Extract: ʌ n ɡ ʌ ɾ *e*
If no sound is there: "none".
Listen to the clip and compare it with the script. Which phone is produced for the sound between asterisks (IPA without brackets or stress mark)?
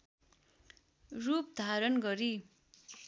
i